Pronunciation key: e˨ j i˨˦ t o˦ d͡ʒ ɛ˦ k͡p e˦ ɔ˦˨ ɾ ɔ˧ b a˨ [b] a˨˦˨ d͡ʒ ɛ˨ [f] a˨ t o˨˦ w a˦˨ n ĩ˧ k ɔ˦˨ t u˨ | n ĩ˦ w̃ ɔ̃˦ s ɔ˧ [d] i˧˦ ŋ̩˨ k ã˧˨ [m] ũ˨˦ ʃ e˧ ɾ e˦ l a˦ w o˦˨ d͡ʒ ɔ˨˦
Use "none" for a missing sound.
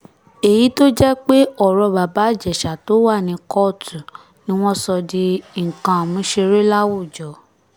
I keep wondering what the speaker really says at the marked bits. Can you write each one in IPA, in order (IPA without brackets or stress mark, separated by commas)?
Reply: b, ʃ, d, m